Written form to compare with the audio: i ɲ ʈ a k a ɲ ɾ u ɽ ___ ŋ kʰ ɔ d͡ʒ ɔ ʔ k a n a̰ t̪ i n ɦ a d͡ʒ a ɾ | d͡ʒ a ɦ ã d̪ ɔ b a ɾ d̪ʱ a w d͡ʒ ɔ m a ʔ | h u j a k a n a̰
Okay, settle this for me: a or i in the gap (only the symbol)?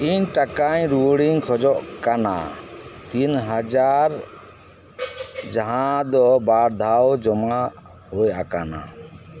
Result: i